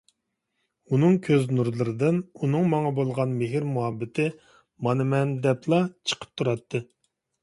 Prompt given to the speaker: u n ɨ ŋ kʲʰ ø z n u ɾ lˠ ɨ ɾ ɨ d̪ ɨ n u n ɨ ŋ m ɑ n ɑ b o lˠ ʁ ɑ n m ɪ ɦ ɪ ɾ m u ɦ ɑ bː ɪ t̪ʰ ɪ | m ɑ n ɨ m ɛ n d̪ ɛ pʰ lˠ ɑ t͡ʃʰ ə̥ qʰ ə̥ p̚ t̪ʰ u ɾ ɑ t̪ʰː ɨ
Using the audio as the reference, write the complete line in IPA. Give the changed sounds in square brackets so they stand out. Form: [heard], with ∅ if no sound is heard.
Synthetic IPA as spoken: u n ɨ ŋ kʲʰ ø z n u ɾ lˠ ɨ ɾ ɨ d̪ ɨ n u n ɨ ŋ m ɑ [ŋ] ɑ b o lˠ ʁ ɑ n m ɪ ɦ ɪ ɾ m u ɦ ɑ bː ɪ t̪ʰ ɪ | m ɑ n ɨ m ɛ n d̪ ɛ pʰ lˠ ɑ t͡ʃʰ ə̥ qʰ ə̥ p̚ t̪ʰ u ɾ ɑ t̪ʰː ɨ